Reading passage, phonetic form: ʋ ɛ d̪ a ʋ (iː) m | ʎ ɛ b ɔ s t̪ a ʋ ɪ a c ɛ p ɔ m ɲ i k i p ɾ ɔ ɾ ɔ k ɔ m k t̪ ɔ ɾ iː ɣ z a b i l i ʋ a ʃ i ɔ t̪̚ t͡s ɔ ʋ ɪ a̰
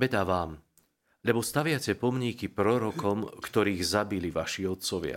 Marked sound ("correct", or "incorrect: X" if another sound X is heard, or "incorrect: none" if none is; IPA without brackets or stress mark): incorrect: aː